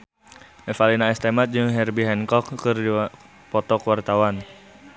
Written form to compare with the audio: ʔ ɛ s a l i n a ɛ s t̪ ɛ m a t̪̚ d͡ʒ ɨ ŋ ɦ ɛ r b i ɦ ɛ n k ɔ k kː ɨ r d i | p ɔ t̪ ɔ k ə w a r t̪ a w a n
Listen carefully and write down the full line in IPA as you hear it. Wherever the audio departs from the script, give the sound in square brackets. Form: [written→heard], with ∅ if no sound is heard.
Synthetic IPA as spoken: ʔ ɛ [s→f] a l i n a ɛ s t̪ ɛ m a t̪̚ d͡ʒ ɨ ŋ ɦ ɛ r b i ɦ ɛ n k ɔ k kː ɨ r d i | p ɔ t̪ ɔ k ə w a r t̪ a w a n